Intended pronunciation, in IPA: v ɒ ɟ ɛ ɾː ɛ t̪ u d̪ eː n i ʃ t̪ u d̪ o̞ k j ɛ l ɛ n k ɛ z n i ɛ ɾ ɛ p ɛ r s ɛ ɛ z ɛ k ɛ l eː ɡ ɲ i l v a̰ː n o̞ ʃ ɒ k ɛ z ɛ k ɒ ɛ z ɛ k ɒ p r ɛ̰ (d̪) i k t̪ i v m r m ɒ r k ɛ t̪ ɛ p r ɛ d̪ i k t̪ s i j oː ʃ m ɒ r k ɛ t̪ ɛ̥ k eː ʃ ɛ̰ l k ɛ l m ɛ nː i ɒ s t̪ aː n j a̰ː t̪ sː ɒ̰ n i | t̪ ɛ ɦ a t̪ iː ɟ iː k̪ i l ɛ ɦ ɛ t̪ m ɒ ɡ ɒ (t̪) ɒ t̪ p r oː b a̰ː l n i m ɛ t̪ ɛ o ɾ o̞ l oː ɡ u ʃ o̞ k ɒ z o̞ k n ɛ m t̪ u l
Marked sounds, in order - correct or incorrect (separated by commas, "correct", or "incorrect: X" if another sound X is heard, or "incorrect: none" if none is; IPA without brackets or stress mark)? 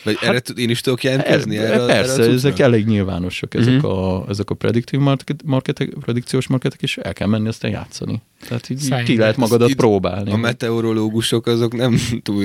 correct, incorrect: d̪